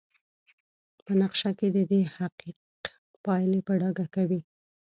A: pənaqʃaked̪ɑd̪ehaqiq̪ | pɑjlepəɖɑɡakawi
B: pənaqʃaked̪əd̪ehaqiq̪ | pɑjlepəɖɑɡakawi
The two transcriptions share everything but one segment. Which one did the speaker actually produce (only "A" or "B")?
B